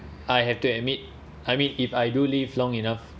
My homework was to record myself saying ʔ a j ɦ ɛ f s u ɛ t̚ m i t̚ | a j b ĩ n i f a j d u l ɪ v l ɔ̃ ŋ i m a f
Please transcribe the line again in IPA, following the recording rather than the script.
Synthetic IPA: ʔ a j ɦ ɛ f t u ɛ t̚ m i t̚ | a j m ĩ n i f a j d u l i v l ɔ̃ ŋ i n a f